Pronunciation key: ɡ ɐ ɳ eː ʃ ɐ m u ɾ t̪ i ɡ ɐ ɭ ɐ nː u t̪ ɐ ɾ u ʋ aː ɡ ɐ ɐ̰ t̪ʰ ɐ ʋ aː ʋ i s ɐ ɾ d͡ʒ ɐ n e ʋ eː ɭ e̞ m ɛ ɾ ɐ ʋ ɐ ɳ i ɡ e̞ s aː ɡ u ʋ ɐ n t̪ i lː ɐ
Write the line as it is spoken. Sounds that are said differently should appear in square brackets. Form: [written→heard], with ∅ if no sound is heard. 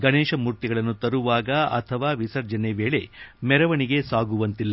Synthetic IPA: ɡ ɐ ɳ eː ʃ ɐ m u ɾ t̪ i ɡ ɐ ɭ ɐ nː u t̪ ɐ ɾ u ʋ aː ɡ ɐ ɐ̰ t̪ʰ ɐ ʋ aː ʋ i s ɐ ɾ d͡ʒ ɐ n e ʋ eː ɭ e̞ m ɛ ɾ ɐ ʋ ɐ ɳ i ɡ e̞ s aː ɡ u ʋ ɐ n t̪ i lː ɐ